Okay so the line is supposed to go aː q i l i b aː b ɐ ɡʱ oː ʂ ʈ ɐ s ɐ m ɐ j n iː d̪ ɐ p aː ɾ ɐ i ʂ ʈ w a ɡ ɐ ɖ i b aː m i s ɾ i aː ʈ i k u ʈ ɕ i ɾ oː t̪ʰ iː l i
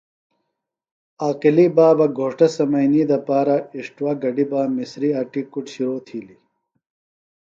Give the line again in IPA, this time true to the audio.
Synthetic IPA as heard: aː q i l i b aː b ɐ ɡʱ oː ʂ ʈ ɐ s ɐ m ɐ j n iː d̪ ɐ p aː ɾ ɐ i ʂ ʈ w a ɡ ɐ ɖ i b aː m i s ɾ i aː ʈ i k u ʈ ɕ i ɾ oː t̪ʰ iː l i